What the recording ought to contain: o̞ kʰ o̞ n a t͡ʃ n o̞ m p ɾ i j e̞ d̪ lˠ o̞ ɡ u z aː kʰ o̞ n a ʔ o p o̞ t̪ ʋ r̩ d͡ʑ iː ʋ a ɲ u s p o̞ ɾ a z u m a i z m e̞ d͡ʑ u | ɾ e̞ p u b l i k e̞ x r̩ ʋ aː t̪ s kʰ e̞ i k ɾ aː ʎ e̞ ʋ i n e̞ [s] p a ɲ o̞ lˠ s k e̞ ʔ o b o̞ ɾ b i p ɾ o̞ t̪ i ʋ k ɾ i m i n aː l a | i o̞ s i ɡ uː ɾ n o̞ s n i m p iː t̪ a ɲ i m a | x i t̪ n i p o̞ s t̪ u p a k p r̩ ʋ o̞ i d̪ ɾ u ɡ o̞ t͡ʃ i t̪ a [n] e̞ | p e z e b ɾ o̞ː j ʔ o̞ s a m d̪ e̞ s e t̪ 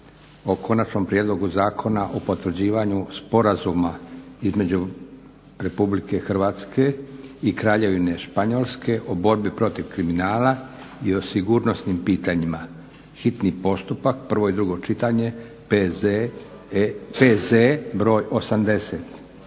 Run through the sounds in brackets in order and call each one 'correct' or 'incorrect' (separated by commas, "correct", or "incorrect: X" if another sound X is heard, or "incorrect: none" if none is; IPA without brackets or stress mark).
incorrect: ʃ, incorrect: ɲ